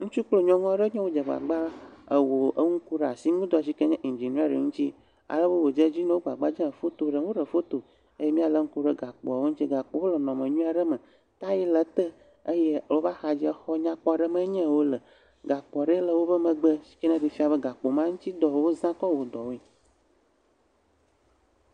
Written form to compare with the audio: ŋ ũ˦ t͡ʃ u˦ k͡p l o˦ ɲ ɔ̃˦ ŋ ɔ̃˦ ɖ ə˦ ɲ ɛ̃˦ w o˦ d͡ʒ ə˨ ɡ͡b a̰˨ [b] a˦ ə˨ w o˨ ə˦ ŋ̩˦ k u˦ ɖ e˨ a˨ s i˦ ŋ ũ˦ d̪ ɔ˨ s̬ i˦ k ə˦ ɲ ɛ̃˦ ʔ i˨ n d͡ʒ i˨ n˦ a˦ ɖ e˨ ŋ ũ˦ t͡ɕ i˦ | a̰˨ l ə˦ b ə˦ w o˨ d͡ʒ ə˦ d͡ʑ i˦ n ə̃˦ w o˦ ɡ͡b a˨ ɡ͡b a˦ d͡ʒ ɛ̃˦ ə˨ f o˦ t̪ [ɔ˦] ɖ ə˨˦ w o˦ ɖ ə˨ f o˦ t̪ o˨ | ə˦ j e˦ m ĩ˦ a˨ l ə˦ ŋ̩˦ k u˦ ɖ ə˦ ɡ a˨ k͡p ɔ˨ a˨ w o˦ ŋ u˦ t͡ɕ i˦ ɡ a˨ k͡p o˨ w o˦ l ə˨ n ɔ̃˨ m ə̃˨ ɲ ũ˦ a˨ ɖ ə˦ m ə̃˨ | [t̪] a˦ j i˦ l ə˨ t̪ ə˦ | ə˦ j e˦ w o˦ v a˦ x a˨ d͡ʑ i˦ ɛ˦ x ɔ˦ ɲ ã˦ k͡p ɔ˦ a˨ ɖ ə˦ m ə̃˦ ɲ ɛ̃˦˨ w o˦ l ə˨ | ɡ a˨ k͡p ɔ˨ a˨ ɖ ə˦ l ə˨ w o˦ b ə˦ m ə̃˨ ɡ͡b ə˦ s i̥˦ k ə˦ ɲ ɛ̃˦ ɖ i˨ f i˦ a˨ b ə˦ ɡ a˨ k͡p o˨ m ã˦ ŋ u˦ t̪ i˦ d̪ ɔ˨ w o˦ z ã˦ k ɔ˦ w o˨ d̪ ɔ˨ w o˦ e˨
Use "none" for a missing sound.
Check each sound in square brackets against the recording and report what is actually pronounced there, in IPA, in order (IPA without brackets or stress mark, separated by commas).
ɡ͡b, o˦, t̪